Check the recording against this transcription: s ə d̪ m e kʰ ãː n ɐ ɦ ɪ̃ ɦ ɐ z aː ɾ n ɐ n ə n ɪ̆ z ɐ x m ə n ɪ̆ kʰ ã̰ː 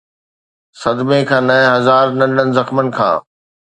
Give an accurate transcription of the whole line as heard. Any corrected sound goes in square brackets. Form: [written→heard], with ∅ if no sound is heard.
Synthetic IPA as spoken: s [ə→ɐ] d̪ m e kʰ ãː n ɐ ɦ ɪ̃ ɦ ɐ z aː ɾ n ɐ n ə n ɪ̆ z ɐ x m ə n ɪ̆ kʰ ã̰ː